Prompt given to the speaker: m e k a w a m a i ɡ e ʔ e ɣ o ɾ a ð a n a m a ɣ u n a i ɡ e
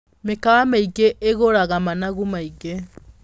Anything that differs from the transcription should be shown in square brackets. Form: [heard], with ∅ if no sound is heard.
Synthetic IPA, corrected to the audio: m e k a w a m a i ɡ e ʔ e ɣ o ɾ a [ɣ] a [m] a [n] a ɣ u [m] a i ɡ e